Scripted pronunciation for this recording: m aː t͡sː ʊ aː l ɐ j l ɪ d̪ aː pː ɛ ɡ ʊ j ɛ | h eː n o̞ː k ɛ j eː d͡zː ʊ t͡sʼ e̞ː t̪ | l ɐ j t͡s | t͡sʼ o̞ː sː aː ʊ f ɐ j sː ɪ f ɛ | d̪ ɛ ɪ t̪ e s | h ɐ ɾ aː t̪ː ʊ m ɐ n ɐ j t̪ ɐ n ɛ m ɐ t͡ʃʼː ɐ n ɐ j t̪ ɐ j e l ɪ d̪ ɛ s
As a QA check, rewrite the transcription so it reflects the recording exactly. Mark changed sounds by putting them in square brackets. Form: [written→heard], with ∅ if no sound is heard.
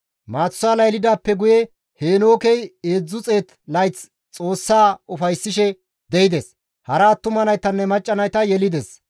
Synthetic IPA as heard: m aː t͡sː ʊ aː l ɐ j l ɪ d̪ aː pː ɛ ɡ ʊ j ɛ | h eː n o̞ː k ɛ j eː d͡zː ʊ t͡sʼ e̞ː t̪ | l ɐ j t͡s | t͡sʼ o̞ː sː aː ʊ f ɐ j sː ɪ [f→ʃ] ɛ | d̪ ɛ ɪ [t̪→d̪] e s | h ɐ ɾ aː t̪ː ʊ m ɐ n ɐ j t̪ ɐ [n→nː] ɛ m ɐ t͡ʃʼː ɐ n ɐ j t̪ ɐ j [e→ɛ] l ɪ d̪ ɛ s